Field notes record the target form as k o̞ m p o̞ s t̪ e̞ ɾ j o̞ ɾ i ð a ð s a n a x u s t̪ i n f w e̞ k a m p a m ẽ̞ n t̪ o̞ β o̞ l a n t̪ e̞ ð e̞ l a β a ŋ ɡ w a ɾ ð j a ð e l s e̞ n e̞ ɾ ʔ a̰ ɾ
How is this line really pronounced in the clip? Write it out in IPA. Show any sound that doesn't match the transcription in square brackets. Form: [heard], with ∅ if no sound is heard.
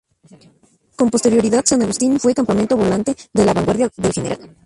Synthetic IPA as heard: k o̞ m p o̞ s t̪ e̞ ɾ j o̞ ɾ i ð a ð s a n a [ɣ] u s t̪ i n f w e̞ k a m p a m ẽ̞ n t̪ o̞ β o̞ l a n t̪ e̞ ð e̞ l a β a ŋ ɡ w a ɾ ð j a ð e l [x] e̞ n e̞ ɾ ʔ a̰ [l]